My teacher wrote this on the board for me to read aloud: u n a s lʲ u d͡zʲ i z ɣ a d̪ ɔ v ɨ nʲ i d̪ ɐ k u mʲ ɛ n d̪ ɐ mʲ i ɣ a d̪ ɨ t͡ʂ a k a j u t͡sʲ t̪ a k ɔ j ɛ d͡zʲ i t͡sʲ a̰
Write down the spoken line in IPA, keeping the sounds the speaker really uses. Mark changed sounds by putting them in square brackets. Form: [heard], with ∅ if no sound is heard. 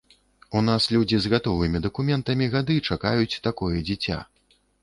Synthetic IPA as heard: u n a s lʲ u d͡zʲ i z ɣ a [t̪] ɔ v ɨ [mʲ] i d̪ ɐ k u mʲ ɛ n [t̪] ɐ mʲ i ɣ a d̪ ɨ t͡ʂ a k a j u t͡sʲ t̪ a k ɔ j ɛ d͡zʲ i t͡sʲ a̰

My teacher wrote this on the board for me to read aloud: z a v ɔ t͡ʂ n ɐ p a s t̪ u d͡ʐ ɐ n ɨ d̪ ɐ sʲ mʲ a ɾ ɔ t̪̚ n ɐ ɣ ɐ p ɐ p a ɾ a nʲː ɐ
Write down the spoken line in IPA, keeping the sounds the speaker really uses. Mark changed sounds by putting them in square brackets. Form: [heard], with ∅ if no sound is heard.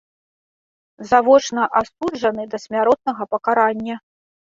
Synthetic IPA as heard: z a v ɔ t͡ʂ n ɐ [ʔ] a s t̪ u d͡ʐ ɐ n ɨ d̪ ɐ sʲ mʲ a ɾ ɔ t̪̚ n ɐ ɣ ɐ p ɐ [k] a ɾ a nʲː ɐ

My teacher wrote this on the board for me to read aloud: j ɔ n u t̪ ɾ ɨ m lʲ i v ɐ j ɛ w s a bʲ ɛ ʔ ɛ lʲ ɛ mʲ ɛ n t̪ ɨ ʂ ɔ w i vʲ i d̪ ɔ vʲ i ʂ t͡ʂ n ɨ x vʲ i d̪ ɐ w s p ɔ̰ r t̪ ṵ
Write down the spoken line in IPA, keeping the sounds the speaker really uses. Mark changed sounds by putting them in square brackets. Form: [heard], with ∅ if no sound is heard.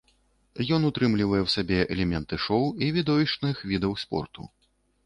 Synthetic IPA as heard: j ɔ n u t̪ ɾ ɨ m lʲ i v ɐ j ɛ w s a bʲ ɛ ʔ ɛ lʲ ɛ mʲ ɛ n t̪ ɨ ʂ ɔ w i vʲ i d̪ ɔ vʲ i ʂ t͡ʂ n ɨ x vʲ i d̪ ɐ w s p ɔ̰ r t̪ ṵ

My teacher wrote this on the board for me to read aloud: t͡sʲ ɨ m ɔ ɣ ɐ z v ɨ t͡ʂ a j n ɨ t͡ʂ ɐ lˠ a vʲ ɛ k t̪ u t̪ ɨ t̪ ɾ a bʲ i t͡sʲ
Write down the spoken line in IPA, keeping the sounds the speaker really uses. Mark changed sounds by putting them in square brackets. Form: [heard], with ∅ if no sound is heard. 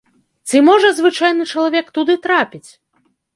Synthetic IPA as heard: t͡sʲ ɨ m ɔ [ʐ] ɐ z v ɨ t͡ʂ a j n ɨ t͡ʂ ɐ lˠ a vʲ ɛ k t̪ u [d̪] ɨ t̪ ɾ a [pʲ] i t͡sʲ

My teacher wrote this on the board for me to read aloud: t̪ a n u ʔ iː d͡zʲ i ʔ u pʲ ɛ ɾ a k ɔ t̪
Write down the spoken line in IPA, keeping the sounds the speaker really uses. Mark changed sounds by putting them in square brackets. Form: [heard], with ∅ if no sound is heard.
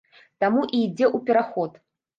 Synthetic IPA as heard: t̪ a [m] u ʔ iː d͡zʲ [ɛ] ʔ u pʲ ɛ ɾ a [x] ɔ t̪

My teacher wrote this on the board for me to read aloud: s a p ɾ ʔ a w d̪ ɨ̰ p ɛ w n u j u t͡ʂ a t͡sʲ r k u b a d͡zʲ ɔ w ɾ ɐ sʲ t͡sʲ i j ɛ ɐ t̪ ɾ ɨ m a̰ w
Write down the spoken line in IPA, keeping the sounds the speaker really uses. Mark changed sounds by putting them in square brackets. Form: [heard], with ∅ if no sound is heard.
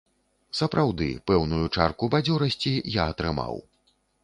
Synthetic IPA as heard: s [ɐ] p ɾ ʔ a w d̪ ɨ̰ p ɛ w n u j u t͡ʂ a [∅] r k u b a d͡zʲ ɔ [∅] ɾ ɐ sʲ t͡sʲ i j [a] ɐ t̪ ɾ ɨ m a̰ w

